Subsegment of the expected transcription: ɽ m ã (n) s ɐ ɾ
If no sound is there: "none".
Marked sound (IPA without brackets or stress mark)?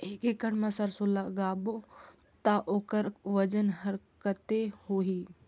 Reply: none